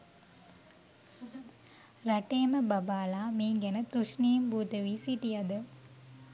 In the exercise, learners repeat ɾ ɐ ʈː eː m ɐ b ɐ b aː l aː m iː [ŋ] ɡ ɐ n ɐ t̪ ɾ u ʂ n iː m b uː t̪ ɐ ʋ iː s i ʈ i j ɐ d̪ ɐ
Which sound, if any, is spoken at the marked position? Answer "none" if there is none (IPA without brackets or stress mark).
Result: ŋ